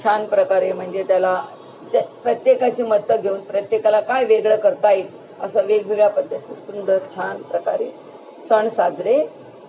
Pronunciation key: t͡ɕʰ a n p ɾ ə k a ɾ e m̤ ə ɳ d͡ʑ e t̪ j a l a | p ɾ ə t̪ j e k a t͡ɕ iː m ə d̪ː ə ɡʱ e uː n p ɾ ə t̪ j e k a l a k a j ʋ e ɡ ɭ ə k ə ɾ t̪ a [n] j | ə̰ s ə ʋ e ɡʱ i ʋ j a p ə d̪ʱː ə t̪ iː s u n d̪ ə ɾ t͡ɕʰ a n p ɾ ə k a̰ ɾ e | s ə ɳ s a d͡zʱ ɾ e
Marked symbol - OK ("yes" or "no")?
no